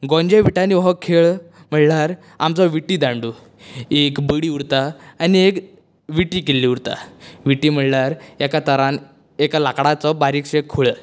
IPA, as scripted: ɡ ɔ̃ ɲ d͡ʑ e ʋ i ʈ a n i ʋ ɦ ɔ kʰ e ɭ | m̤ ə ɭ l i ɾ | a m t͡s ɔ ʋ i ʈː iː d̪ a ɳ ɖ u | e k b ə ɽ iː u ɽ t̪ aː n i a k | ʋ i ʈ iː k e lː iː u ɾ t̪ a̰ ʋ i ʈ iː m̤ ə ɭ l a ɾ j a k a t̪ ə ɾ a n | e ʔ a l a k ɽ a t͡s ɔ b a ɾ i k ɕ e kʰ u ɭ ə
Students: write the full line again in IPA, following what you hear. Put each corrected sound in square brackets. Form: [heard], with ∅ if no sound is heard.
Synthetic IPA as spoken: ɡ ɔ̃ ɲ d͡ʑ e ʋ i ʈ a n i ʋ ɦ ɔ kʰ e ɭ | m̤ ə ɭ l [a] ɾ | a m t͡s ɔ ʋ i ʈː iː d̪ a ɳ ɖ u | e k b ə ɽ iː u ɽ t̪ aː n i [e] k | ʋ i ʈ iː k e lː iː u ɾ t̪ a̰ ʋ i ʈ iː m̤ ə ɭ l a ɾ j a k a t̪ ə ɾ a n | e [k] a l a k ɽ a t͡s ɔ b a ɾ i k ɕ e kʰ u ɭ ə